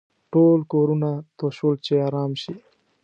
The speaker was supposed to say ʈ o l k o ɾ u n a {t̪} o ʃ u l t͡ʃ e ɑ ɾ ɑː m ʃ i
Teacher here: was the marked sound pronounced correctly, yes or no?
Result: yes